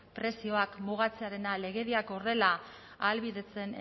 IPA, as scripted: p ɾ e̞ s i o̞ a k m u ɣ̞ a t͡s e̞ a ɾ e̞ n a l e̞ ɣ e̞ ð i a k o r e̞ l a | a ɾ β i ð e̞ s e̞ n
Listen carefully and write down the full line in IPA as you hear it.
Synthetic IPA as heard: p ɾ e̞ s i o̞ a k m u ɣ̞ a t͡s e̞ a ɾ e̞ n a l e̞ ɣ e̞ ð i a k o r e̞ l a | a l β i ð e̞ t͡s e̞ n

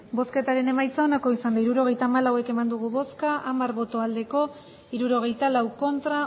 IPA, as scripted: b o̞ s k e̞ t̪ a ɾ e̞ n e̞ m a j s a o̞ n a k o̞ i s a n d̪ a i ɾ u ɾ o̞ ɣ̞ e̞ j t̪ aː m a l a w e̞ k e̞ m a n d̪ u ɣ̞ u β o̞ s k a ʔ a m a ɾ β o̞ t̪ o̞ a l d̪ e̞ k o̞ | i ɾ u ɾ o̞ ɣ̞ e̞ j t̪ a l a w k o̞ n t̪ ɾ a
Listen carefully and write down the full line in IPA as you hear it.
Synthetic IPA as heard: b o̞ s k e̞ t̪ a ɾ e̞ n e̞ m a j t͡s a o̞ n a k o̞ i s a n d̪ a i ɾ u ɾ o̞ ɣ̞ e̞ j t̪ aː m a l a w e̞ k e̞ m a n d̪ u ɣ̞ u β o̞ s k a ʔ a m a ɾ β o̞ t̪ o̞ a l d̪ e̞ k o̞ | i ɾ u ɾ o̞ ɣ̞ e̞ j t̪ a l a w k o̞ n t̪ ɾ a

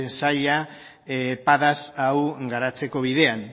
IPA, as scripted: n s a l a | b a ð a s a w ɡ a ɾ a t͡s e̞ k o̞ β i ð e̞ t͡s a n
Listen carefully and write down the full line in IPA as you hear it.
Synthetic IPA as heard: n s a ʎ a | p a ð a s a w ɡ a ɾ a t͡s e̞ k o̞ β i ð e̞ a n

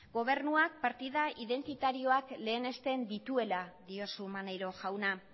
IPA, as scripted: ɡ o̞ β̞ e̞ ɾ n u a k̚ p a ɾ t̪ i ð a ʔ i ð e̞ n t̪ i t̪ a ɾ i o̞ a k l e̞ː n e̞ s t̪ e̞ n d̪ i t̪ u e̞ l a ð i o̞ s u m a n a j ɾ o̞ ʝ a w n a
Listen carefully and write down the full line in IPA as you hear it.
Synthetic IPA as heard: ɡ o̞ β̞ e̞ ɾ n u a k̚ p a ɾ t̪ i ð a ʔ i ð e̞ n t̪ i t̪ a ɾ i o̞ a k l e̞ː n e̞ s t̪ e̞ n d̪ i t̪ u e̞ l a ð i o̞ s u m a n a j ɾ o̞ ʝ a w n a

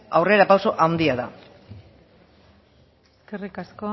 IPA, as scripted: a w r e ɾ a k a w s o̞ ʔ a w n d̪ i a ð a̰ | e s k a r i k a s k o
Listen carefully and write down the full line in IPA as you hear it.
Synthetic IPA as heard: a w r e ɾ a p a w s o̞ ʔ a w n d̪ i a ð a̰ | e s k e r i k a s k o

